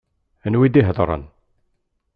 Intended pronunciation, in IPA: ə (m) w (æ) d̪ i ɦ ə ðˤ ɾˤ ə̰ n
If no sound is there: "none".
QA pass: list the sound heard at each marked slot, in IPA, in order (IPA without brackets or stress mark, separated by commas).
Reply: n, i